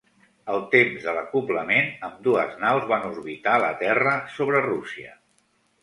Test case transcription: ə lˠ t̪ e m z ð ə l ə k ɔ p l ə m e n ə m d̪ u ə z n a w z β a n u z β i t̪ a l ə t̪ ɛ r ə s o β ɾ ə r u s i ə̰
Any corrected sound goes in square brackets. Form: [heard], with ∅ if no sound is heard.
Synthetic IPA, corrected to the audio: ə lˠ t̪ e m z ð ə l ə k [u] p l ə m e n ə m d̪ u ə z n a w z β a n u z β i t̪ a l ə t̪ ɛ r ə s o β ɾ ə r u s i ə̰